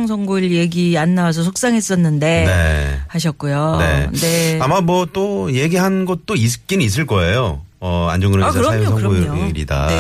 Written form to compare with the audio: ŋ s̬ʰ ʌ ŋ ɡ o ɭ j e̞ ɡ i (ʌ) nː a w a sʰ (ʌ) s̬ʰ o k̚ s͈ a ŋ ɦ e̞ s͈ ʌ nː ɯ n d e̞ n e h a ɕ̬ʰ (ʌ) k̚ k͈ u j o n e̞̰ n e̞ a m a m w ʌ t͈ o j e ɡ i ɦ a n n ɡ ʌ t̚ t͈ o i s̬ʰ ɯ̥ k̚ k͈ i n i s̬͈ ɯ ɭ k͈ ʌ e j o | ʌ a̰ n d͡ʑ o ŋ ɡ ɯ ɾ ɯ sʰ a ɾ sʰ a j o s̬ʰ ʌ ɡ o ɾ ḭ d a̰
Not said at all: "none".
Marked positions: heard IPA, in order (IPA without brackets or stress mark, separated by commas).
a, ʌ, ʌ